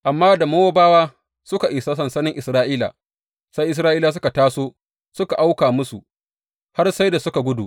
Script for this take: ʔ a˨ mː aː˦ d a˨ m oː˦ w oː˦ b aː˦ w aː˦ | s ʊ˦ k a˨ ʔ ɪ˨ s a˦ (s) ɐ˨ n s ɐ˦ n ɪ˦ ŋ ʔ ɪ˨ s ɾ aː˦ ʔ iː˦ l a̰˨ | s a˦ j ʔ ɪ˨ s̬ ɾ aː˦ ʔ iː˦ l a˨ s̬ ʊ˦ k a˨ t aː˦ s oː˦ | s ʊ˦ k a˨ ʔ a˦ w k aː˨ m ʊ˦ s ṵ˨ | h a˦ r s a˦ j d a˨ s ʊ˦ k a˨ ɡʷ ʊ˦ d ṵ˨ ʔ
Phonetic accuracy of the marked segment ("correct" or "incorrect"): correct